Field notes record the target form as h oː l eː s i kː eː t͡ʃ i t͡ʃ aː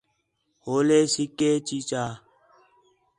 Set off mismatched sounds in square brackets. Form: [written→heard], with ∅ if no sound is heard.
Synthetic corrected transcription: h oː l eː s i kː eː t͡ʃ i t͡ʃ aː